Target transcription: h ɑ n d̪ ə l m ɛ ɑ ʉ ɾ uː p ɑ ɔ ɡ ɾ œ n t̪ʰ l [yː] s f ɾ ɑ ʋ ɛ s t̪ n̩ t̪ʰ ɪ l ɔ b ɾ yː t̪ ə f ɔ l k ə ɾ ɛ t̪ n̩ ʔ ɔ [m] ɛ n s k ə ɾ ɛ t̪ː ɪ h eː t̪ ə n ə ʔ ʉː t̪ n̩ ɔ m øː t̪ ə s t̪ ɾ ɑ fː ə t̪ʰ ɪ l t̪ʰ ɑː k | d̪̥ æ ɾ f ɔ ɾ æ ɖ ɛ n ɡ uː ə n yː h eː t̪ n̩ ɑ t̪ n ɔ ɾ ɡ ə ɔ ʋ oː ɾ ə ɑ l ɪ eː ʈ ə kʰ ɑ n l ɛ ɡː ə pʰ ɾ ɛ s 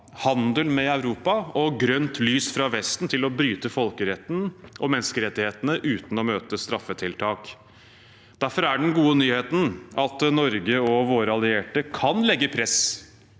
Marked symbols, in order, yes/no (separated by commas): yes, yes